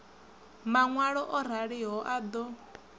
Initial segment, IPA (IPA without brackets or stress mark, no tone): m